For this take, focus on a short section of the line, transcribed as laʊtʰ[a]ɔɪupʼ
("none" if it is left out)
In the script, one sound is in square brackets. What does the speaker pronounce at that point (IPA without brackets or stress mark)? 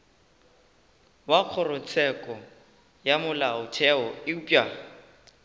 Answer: ɛ